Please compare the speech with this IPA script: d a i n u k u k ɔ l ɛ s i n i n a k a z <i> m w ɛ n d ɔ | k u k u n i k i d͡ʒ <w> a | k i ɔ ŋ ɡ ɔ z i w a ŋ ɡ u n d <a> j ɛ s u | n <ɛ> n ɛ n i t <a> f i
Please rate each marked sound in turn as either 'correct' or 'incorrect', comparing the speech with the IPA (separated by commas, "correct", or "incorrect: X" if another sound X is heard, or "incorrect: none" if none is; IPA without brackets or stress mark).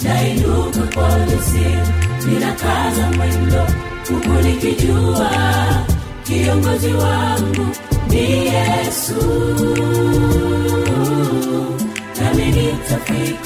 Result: incorrect: a, incorrect: u, incorrect: i, incorrect: a, correct